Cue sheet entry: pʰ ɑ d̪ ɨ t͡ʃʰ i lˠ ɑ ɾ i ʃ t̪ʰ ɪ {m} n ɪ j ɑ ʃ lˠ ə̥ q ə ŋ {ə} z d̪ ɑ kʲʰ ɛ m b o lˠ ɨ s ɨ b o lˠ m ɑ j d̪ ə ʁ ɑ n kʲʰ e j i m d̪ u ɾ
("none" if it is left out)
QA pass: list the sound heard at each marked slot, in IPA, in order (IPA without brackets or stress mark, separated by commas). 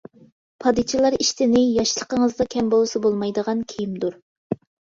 none, ə